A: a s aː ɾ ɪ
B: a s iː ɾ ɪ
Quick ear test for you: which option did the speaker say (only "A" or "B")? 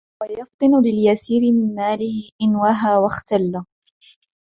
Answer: B